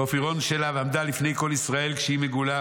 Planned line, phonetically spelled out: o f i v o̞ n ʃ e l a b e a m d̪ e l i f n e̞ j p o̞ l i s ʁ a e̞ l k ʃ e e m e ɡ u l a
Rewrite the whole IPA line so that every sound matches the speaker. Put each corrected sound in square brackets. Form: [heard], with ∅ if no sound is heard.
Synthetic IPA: o f i [ʁ] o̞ n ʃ e l a [v] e a m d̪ [a] l i f n e̞ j [k] o̞ l i s ʁ a e̞ l k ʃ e [i] m e ɡ u l a